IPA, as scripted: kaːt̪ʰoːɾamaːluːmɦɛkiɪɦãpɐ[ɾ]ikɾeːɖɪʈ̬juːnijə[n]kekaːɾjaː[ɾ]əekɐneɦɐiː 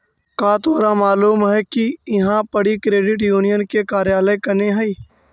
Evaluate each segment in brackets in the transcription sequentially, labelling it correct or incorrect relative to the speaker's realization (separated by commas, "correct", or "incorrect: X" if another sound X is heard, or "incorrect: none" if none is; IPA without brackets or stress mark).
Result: incorrect: ɽ, correct, incorrect: l